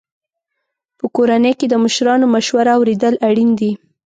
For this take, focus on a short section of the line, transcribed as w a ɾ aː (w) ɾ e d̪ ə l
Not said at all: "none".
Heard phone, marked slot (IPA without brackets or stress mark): w